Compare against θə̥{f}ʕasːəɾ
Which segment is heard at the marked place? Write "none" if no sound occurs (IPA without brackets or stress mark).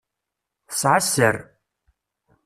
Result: s